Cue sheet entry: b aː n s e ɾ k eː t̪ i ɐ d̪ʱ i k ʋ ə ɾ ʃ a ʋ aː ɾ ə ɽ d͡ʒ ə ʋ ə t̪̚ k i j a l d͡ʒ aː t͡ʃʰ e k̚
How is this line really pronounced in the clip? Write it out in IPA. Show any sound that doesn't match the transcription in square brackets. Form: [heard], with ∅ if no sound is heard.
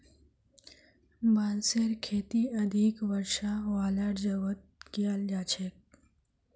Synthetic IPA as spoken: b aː n s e ɾ [kʰ] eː t̪ i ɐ d̪ʱ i k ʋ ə ɾ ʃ a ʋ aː [l] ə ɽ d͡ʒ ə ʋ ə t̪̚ k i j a l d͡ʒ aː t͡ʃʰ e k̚